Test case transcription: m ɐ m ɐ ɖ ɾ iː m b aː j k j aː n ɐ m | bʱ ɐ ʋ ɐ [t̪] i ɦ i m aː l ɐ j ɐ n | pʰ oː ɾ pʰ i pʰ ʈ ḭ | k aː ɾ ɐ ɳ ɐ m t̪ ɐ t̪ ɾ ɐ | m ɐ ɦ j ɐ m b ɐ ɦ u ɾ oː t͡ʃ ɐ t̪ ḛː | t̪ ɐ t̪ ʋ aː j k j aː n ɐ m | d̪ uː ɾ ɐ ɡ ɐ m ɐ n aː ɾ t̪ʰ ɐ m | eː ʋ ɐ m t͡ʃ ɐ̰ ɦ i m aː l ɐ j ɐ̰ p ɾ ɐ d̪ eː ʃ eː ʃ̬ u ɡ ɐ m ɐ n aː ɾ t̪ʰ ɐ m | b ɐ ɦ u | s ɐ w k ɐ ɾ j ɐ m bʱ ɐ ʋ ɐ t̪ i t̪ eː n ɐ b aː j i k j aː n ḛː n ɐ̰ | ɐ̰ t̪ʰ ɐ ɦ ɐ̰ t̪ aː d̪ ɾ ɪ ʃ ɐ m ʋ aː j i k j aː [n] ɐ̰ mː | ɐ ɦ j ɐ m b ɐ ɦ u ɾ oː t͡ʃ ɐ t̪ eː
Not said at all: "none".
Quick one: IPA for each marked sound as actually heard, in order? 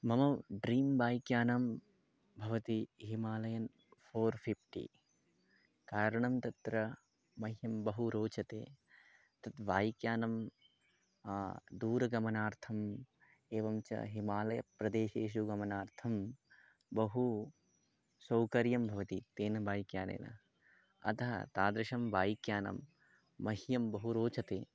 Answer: t̪, n

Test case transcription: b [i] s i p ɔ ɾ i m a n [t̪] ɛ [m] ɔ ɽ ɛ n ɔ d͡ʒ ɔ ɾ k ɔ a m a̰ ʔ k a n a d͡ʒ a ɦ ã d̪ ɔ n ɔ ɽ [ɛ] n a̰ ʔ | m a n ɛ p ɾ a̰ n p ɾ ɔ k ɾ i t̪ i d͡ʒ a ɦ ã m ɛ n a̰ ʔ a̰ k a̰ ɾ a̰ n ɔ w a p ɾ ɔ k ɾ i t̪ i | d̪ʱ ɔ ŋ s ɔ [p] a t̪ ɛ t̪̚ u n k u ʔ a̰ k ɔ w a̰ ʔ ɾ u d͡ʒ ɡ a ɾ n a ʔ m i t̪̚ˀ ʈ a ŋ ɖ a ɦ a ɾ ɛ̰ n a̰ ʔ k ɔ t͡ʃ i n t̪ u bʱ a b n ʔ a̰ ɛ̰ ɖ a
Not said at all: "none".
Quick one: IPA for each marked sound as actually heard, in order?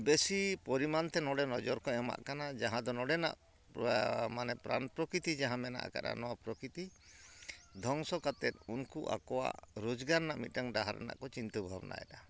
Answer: e, t̪, n, ɛ, k

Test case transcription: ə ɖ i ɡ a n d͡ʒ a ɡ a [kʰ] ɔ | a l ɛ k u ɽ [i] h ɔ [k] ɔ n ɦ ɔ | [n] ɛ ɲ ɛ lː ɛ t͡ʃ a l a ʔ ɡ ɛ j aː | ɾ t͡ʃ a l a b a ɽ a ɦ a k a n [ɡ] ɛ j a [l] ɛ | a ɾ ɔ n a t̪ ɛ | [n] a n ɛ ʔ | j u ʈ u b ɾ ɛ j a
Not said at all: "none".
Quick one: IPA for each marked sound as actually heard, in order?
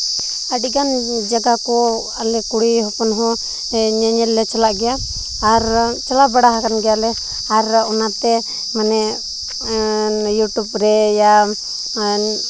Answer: k, i, p, ɲ, ɡ, l, m

